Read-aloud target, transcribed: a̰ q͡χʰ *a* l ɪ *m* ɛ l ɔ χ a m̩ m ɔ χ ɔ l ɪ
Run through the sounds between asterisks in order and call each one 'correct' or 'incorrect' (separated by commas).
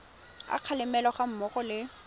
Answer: correct, correct